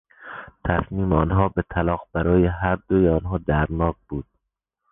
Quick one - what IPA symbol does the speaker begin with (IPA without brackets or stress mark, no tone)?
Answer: t̪ʰ